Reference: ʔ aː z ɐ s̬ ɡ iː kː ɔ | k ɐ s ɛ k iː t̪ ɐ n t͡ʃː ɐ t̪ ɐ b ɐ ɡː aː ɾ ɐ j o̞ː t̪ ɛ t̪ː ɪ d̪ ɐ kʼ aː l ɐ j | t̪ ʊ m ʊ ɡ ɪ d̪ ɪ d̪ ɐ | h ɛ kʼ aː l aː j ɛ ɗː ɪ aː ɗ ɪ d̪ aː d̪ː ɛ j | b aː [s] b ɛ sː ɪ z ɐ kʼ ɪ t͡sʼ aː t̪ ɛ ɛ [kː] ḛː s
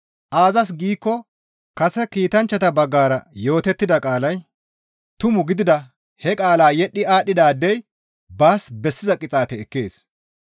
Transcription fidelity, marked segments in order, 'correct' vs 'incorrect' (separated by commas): correct, correct